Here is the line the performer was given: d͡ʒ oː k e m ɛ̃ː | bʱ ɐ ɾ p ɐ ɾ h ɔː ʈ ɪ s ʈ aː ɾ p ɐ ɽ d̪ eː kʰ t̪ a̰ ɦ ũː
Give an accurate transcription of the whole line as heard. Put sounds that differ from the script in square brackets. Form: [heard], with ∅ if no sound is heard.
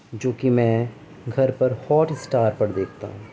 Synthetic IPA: d͡ʒ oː k [i] m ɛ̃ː | [ɡʱ] ɐ ɾ p ɐ ɾ h ɔː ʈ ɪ s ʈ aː ɾ p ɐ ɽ d̪ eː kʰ t̪ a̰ ɦ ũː